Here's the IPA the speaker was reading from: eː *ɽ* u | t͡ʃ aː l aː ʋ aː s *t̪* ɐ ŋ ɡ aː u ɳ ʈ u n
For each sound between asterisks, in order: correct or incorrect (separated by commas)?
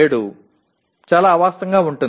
correct, correct